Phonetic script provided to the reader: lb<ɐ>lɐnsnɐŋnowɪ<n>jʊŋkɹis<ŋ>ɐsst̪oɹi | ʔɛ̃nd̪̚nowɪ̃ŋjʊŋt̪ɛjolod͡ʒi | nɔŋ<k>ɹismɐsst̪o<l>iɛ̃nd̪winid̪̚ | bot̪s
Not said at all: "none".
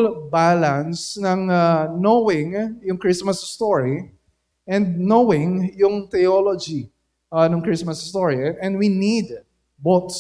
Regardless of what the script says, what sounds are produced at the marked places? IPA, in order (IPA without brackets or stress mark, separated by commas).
a, ŋ, m, k, ɹ